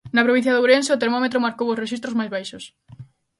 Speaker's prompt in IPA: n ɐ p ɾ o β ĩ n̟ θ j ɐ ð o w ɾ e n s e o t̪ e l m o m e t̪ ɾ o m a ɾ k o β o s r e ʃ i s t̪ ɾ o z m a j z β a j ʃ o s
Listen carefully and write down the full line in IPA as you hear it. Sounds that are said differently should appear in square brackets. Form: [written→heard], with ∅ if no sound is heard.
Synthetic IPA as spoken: n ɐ p ɾ o β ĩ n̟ θ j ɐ ð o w ɾ e n s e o t̪ e [l→ɾ] m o m e t̪ ɾ o m a ɾ k o [β→w] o s r e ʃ i s t̪ ɾ o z m a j z β a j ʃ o s